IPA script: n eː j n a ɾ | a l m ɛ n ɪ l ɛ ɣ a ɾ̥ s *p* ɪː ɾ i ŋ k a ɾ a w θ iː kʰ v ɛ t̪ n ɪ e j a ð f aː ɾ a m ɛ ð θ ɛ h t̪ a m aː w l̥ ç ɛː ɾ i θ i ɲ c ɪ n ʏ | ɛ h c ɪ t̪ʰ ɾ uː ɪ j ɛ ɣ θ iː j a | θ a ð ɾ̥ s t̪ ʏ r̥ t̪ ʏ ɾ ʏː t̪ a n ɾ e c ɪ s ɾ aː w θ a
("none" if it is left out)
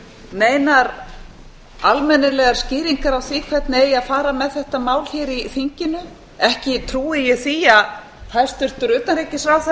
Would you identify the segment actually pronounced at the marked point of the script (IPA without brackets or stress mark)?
c